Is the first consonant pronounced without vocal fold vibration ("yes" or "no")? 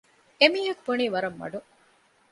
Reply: no